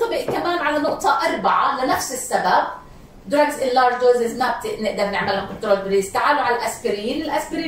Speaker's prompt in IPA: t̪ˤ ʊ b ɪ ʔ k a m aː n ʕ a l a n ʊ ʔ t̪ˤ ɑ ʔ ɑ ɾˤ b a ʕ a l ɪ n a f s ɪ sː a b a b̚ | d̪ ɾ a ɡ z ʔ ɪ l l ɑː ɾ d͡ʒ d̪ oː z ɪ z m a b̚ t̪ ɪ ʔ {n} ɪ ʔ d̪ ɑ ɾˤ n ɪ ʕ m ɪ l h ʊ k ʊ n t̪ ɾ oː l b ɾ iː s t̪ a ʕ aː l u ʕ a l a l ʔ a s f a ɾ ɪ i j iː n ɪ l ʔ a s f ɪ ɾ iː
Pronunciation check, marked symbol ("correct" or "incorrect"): correct